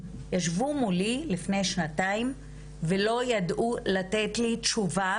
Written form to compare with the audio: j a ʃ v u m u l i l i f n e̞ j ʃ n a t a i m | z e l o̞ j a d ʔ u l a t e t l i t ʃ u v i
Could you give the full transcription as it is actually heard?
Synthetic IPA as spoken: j a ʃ v u m u l i l i f n e̞ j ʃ n a t a i m | v e l o̞ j a d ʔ u l a t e t l i t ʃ u v a